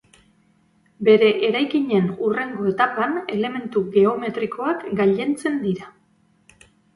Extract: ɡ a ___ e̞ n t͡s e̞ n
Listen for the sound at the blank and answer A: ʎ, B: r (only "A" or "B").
A